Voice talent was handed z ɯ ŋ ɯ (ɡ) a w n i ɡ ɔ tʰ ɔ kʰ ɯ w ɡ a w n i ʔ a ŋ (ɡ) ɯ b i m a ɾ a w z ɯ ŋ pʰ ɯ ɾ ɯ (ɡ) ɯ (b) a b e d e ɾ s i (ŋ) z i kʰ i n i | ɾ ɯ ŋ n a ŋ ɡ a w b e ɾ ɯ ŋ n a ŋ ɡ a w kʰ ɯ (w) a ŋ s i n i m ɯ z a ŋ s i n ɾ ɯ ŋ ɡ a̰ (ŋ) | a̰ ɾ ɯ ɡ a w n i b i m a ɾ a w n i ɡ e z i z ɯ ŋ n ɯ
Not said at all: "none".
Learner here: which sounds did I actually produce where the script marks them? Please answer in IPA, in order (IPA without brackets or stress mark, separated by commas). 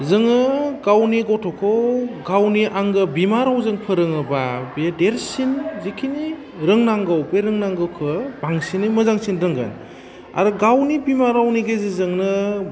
ɡ, ɡ, ŋ, b, n, b, n